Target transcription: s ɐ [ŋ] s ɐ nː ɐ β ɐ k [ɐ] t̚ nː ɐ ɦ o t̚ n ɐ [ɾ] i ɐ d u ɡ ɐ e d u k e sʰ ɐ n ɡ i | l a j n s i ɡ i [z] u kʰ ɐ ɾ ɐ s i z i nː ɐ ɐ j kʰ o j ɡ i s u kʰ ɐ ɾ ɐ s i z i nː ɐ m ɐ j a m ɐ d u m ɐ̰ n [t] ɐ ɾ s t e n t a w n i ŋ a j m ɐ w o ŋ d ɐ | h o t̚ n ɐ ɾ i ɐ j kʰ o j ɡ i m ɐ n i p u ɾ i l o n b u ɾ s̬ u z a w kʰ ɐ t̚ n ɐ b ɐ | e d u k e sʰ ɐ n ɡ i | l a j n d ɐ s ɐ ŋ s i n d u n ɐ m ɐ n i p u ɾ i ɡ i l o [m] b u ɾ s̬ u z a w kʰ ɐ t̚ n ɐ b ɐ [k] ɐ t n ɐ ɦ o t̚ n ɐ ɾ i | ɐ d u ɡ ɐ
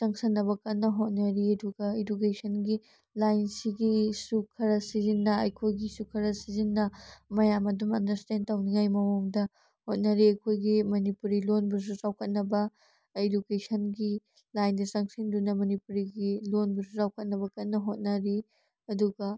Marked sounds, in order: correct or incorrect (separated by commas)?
correct, correct, correct, incorrect, incorrect, incorrect, correct